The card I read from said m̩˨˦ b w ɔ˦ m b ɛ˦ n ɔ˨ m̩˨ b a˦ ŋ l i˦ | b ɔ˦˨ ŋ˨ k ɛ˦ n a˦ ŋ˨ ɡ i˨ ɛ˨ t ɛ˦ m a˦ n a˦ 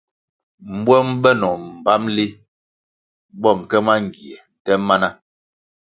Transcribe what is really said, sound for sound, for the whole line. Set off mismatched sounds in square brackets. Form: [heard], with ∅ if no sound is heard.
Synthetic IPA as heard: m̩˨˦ b w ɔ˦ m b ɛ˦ n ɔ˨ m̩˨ b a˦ [m] l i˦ | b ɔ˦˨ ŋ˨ k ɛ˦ [m] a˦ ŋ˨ ɡ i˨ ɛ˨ t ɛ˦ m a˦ n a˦